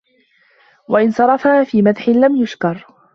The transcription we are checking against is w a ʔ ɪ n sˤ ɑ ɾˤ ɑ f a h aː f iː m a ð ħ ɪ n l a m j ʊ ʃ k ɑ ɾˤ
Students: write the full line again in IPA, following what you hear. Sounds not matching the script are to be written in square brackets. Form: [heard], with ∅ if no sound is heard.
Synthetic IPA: w a ʔ ɪ n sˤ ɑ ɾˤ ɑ f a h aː f iː m a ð ħ ɪ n l a m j ʊ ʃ k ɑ ɾˤ